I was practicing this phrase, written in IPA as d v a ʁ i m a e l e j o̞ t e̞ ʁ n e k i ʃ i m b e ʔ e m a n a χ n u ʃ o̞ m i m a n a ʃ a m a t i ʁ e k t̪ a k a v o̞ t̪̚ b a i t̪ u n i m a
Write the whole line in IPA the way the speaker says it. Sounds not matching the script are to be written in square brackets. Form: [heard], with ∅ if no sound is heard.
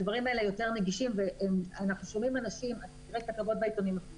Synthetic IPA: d v a ʁ i m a e l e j o̞ t e̞ ʁ n e [ɡ] i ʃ i m [v] e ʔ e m a n a χ n u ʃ o̞ m i m a n a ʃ [i] m a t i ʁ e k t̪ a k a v o̞ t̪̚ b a i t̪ [o] n i m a